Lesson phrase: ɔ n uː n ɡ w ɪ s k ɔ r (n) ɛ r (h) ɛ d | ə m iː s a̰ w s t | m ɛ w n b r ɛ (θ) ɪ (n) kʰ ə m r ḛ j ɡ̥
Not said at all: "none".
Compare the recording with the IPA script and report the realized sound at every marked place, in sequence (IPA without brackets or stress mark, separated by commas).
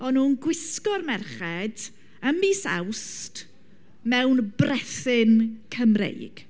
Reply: m, χ, θ, n